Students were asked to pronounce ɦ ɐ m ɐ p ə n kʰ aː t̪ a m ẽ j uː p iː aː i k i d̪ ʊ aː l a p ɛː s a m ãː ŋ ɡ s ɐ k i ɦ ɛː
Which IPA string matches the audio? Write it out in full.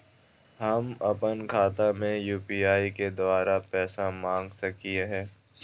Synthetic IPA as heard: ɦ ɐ m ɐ p ə n kʰ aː t̪ a m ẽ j uː p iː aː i k e d̪ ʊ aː ɾ a p ɛː s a m ãː ŋ ɡ s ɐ k i ɦ ɛː